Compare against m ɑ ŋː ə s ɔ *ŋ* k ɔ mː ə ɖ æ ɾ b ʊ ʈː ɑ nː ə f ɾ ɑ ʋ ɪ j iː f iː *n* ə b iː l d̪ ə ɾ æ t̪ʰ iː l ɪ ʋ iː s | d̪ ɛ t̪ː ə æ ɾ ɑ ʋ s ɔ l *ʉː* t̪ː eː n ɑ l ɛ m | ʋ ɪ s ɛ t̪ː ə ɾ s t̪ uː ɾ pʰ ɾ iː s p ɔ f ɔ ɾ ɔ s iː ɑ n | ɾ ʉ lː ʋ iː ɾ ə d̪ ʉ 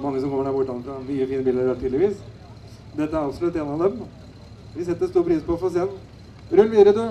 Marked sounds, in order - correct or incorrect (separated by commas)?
incorrect, correct, incorrect